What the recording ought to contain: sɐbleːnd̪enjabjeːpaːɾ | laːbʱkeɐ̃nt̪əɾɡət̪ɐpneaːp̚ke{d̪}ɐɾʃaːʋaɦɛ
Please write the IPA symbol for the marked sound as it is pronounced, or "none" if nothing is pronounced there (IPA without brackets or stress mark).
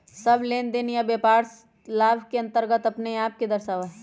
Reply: d̪